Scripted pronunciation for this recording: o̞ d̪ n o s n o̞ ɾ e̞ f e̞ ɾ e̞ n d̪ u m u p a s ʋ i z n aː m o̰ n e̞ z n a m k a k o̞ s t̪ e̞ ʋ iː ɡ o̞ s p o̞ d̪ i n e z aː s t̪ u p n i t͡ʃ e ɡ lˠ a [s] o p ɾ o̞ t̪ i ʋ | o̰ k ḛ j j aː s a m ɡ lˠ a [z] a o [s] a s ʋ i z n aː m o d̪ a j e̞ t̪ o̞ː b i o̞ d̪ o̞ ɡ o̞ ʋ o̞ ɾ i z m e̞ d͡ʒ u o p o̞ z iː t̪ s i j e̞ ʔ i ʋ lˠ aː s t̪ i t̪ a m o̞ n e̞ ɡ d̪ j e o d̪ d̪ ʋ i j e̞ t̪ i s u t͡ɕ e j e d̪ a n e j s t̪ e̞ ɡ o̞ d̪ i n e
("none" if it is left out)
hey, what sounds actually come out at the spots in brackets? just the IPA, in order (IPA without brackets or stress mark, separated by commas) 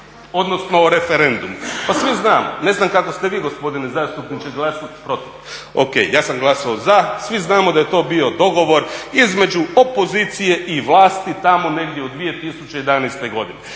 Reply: s, s, z